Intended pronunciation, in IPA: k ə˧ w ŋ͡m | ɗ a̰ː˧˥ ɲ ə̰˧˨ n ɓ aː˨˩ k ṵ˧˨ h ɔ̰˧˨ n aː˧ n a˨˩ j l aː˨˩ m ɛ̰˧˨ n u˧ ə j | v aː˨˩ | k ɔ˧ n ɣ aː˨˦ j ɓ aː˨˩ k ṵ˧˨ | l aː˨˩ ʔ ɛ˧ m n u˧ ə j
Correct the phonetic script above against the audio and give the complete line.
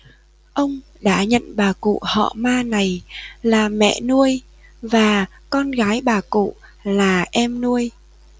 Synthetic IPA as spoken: ʔ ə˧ w ŋ͡m | ɗ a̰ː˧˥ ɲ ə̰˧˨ n ɓ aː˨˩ k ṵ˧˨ h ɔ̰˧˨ m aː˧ n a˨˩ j l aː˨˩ m ɛ̰˧˨ n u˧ ə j | v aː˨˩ | k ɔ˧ n ɣ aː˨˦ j ɓ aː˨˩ k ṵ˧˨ | l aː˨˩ ʔ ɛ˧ m n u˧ ə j

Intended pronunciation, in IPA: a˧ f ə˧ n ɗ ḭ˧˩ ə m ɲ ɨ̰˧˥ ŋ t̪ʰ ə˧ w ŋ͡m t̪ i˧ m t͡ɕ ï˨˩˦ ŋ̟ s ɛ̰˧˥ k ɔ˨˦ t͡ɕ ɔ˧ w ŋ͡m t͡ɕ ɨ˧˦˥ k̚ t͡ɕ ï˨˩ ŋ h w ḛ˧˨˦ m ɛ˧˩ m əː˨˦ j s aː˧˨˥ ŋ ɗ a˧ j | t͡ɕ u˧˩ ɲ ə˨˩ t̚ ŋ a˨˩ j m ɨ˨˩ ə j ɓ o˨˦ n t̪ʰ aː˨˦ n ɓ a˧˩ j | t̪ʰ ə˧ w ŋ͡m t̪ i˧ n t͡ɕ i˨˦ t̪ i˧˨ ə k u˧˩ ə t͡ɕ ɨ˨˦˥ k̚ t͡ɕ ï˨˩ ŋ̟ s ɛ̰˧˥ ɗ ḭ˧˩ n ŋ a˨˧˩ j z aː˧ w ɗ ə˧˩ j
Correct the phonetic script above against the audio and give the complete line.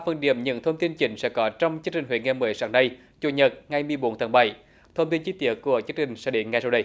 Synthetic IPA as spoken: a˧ f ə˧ n ɗ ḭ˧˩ ə m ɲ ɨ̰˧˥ ŋ t̪ʰ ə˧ w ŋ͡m t̪ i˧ n t͡ɕ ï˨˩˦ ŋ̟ s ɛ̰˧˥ k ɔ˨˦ t͡ɕ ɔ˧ w ŋ͡m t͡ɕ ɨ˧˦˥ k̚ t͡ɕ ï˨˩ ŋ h w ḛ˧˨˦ ŋ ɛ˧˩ m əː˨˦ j s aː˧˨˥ ŋ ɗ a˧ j | t͡ɕ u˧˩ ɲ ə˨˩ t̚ ŋ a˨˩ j m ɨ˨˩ ə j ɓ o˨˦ n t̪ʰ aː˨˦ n ɓ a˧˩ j | t̪ʰ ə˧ w ŋ͡m t̪ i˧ n t͡ɕ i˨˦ t̪ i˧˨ ə k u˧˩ ə t͡ɕ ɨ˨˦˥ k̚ t͡ɕ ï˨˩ ŋ̟ s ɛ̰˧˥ ɗ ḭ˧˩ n ŋ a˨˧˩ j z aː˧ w ɗ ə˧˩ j

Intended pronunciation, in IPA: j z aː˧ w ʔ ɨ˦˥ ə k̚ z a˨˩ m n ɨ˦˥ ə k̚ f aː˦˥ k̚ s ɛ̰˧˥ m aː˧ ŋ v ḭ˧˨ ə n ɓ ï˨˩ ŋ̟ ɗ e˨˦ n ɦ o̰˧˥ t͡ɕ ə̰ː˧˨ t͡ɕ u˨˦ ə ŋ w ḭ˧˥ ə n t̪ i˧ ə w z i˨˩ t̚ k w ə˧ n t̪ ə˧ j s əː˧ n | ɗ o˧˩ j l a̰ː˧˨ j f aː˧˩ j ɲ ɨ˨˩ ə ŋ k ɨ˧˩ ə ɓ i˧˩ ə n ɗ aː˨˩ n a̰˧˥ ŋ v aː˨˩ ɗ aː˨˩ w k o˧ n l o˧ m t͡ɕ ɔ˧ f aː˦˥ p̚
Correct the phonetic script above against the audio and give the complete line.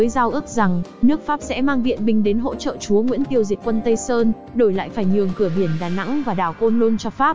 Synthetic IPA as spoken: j z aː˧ w ʔ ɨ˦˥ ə k̚ z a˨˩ ŋ n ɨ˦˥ ə k̚ f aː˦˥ p̚ s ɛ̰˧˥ m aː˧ ŋ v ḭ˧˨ ə n ɓ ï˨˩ ŋ̟ ɗ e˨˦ n ɦ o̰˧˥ t͡ɕ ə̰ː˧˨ t͡ɕ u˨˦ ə ŋ w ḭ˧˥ ə n t̪ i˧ ə w z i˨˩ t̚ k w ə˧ n t̪ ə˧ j s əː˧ n | ɗ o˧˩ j l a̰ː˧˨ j f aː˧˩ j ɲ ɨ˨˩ ə ŋ k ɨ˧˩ ə ɓ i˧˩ ə n ɗ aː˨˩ n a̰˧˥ ŋ v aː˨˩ ɗ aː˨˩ w k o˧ n l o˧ n t͡ɕ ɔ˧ f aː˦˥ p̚

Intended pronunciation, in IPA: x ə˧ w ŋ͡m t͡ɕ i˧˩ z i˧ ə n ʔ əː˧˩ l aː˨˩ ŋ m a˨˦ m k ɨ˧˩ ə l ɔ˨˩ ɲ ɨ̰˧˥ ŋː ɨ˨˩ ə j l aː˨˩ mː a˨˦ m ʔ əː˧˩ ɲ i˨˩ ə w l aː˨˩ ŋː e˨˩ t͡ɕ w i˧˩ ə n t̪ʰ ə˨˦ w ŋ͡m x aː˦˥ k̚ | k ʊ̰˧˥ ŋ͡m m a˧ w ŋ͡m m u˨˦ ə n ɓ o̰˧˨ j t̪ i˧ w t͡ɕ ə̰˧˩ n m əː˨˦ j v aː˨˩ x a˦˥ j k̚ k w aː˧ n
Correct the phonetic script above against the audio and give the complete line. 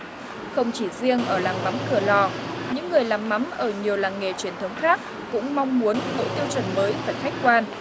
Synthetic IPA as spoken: x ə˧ w ŋ͡m t͡ɕ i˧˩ z i˧ ə ŋ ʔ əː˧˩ l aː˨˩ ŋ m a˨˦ m k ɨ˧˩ ə l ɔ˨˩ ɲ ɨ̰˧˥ ŋː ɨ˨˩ ə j l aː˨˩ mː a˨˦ m ʔ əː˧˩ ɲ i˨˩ ə w l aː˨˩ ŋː e˨˩ t͡ɕ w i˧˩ ə n t̪ʰ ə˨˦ w ŋ͡m x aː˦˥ k̚ | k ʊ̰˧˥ ŋ͡m m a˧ w ŋ͡m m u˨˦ ə n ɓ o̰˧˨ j t̪ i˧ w t͡ɕ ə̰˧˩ n m əː˨˦ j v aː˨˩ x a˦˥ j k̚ k w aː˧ n

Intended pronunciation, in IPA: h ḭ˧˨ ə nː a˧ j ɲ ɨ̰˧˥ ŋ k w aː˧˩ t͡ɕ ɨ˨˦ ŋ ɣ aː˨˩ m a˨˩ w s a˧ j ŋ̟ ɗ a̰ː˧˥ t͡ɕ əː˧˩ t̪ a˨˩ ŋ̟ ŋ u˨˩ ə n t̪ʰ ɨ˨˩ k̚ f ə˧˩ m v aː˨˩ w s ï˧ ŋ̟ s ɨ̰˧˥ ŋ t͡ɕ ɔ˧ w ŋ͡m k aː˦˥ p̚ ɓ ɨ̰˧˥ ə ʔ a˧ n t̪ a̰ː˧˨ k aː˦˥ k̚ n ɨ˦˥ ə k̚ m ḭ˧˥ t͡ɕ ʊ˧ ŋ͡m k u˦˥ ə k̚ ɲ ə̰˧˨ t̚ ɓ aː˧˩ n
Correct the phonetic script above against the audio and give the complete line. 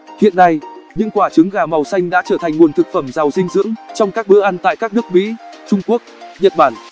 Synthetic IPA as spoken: h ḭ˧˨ ə nː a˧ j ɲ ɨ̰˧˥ ŋ k w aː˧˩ t͡ɕ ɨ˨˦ ŋ ɣ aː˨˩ m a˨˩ w s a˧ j ŋ̟ ɗ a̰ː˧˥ t͡ɕ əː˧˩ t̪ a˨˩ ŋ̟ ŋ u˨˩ ə n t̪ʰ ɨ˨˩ k̚ f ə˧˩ m z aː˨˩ w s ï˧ ŋ̟ z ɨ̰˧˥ ŋ t͡ɕ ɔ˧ w ŋ͡m k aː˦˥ k̚ ɓ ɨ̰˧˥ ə ʔ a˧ n t̪ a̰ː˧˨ k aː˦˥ k̚ n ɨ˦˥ ə k̚ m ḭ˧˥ t͡ɕ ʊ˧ ŋ͡m k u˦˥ ə k̚ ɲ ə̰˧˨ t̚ ɓ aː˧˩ n

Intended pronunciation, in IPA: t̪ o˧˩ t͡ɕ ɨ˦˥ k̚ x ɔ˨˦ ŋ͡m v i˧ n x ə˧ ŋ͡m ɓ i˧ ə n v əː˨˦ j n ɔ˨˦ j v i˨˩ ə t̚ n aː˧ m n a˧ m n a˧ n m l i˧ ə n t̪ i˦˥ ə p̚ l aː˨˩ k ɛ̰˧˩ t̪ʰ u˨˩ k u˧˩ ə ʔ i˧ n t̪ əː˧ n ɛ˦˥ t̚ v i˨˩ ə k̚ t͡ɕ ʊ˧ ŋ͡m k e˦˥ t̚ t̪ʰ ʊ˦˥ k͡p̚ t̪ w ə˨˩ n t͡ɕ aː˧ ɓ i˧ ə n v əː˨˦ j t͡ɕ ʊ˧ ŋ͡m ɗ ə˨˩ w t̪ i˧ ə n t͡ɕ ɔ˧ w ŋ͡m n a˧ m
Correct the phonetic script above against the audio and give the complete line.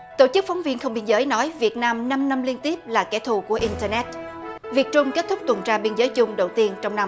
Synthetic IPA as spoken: t̪ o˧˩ t͡ɕ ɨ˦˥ k̚ f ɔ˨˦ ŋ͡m v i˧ n x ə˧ ŋ͡m ɓ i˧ ə n z əː˨˦ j n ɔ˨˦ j v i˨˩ ə t̚ n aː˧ m n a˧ m n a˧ m l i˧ ə n t̪ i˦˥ ə p̚ l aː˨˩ k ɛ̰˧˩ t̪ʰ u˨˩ k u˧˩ ə ʔ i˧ n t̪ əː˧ n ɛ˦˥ t̚ v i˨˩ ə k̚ t͡ɕ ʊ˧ ŋ͡m k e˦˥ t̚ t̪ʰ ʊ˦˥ k͡p̚ t̪ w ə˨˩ n t͡ɕ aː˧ ɓ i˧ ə n z əː˨˦ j t͡ɕ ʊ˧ ŋ͡m ɗ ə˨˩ w t̪ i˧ ə n t͡ɕ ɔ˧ w ŋ͡m n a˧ m

